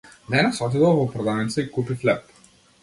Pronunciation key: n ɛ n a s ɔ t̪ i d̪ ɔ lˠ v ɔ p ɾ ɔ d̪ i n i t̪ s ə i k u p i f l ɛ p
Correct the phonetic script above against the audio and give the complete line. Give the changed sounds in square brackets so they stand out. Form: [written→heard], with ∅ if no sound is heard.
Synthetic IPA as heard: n ɛ n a s ɔ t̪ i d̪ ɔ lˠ v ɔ p ɾ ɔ d̪ [i→a] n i t̪ s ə i k u p i f l ɛ p